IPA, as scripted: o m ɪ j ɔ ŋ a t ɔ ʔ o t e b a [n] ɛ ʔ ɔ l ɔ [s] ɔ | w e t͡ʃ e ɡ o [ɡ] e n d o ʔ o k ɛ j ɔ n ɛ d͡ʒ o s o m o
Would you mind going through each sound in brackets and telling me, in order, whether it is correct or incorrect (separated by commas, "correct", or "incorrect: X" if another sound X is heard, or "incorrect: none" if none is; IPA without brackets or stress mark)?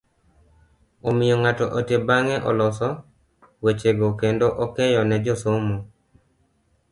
incorrect: ŋ, correct, incorrect: k